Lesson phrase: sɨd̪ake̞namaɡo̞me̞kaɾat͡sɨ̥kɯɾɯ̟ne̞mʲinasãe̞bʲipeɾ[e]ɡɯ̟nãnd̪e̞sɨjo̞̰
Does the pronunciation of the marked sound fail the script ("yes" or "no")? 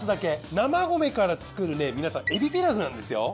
yes